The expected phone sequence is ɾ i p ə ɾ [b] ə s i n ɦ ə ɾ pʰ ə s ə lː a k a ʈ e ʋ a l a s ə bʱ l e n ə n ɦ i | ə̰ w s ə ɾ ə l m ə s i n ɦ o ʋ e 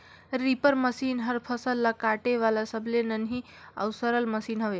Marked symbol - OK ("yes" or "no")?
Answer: no